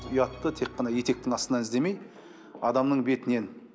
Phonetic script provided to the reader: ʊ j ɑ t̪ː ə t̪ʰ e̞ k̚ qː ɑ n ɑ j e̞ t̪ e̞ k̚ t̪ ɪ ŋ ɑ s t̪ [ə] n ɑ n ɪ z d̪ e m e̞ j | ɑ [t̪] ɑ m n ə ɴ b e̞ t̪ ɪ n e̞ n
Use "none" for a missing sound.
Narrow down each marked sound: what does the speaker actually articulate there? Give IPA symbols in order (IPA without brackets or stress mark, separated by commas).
ə, d̪